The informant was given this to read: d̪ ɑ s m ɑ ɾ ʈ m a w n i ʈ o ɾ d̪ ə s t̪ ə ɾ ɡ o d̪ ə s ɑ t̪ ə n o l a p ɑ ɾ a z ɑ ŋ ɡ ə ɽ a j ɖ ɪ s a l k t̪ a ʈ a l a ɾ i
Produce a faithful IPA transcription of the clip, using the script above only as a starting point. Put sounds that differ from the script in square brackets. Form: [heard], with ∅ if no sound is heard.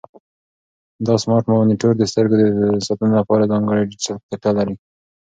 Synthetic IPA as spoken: d̪ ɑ s m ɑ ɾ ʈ m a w n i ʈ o ɾ d̪ ə s t̪ ə ɾ ɡ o d̪ ə s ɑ t̪ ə n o l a p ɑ ɾ a z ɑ ŋ ɡ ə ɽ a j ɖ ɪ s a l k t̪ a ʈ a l a ɾ i

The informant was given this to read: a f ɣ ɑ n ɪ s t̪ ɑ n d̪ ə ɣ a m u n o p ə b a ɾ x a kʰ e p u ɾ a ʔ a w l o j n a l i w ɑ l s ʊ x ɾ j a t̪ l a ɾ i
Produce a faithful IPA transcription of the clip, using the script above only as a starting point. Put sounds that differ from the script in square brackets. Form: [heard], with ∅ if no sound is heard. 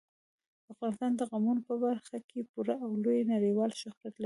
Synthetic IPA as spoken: a f ɣ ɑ n ɪ s t̪ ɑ n d̪ ə ɣ a m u n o p ə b a ɾ x a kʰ e p u ɾ a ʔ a w l o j n a [ɽ] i w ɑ l [ʃ] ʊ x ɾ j a t̪ l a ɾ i

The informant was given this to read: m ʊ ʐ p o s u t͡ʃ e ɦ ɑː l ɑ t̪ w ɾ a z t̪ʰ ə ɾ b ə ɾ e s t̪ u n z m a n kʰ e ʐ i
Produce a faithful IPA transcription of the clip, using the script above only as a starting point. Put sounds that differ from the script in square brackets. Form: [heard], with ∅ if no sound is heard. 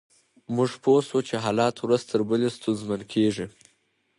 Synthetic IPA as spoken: m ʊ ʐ p o s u t͡ʃ e ɦ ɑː l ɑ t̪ w ɾ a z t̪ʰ ə ɾ b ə [l] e s t̪ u n z m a n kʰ e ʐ i

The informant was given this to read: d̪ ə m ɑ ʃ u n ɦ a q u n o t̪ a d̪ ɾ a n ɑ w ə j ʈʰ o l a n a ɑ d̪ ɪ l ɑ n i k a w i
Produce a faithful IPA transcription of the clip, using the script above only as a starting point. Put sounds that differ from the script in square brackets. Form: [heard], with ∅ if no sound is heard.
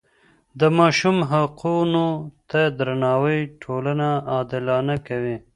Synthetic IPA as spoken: d̪ ə m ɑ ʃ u [m] ɦ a q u n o t̪ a d̪ ɾ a n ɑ w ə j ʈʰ o l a n a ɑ d̪ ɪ l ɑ n [a] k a w i

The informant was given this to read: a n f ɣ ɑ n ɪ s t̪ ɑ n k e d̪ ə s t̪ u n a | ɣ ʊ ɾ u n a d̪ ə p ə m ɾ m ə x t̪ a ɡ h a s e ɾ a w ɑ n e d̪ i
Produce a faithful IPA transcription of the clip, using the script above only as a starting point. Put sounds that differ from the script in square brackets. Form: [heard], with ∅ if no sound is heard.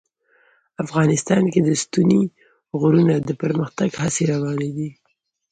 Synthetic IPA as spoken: a [∅] f ɣ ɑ n ɪ s t̪ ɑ n k e d̪ ə s t̪ u n [i] | ɣ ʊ ɾ u n a d̪ ə p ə [∅] ɾ m ə x t̪ a ɡ h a s e ɾ a w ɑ n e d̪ i

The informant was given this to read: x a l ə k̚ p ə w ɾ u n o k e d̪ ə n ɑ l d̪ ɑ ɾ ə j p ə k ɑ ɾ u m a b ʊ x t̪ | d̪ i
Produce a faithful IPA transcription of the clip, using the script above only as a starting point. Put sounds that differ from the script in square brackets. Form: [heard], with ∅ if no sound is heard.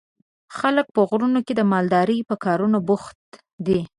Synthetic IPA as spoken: x a l ə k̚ p ə [ɣ] ɾ u n o k e d̪ ə [m] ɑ l d̪ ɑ ɾ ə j p ə k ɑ ɾ u [n] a b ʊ x t̪ | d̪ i

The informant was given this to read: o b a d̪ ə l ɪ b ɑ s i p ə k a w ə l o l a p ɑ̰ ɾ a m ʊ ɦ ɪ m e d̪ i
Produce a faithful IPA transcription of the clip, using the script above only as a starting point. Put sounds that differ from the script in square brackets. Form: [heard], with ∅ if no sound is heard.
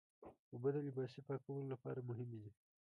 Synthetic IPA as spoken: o b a d̪ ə l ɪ b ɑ s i p [ɑ] k a w ə l o l a p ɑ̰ ɾ a m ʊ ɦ ɪ m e d̪ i

